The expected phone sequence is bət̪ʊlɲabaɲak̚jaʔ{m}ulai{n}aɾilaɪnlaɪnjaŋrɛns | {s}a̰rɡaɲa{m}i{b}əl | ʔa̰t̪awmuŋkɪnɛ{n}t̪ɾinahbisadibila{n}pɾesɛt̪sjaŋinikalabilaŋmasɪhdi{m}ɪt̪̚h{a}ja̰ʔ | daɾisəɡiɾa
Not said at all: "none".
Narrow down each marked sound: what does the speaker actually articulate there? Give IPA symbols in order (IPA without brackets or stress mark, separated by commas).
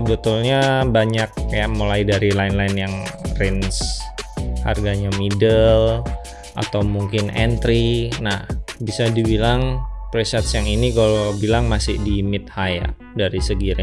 m, d, h, m, d, n, ŋ, m, a